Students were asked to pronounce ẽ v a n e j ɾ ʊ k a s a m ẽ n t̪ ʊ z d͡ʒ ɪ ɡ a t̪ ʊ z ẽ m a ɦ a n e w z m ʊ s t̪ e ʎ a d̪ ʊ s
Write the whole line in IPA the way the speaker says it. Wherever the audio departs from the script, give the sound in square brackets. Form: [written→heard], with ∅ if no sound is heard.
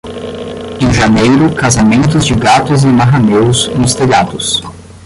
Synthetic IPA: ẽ [v→ʒ] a n e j ɾ ʊ k a [s→z] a m ẽ n t̪ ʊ z d͡ʒ ɪ ɡ a t̪ ʊ z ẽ m a ɦ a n e w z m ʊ s t̪ e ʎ a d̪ ʊ s